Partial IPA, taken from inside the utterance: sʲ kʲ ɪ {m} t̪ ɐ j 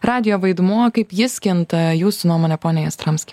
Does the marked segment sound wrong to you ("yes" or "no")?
yes